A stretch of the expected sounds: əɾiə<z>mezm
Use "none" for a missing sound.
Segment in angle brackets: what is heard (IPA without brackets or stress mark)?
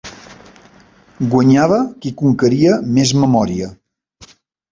none